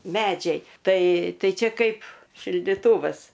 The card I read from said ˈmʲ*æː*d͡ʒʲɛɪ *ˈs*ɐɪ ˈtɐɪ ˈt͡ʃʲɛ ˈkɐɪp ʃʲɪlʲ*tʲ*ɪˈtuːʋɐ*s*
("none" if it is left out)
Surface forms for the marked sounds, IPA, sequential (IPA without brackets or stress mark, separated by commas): æː, t, dʲ, s